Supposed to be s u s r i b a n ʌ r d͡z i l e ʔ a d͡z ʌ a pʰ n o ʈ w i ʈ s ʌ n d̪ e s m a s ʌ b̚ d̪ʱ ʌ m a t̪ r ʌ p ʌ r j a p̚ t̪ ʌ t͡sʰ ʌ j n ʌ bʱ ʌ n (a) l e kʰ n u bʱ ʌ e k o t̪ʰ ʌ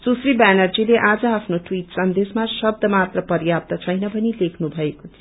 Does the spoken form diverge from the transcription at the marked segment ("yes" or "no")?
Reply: yes